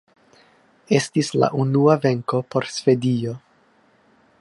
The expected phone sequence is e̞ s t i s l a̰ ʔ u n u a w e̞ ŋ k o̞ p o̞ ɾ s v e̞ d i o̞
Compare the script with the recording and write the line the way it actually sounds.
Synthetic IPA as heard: e̞ s t i s l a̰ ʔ u n u a v e̞ ŋ k o̞ p o̞ ɾ s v e̞ d i o̞